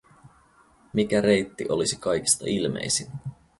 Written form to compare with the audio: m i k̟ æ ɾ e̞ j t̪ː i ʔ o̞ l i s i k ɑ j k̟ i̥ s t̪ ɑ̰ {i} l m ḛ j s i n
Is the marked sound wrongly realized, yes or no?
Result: no